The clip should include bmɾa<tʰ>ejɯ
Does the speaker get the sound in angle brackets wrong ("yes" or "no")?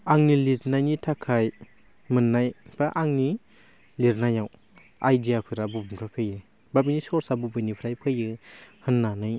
yes